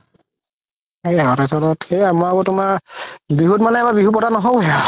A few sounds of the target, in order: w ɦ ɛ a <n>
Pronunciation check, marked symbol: incorrect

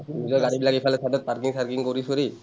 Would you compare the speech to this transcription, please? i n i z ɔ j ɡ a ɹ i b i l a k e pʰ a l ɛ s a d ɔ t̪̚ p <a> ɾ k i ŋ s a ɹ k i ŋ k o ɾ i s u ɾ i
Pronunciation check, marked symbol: correct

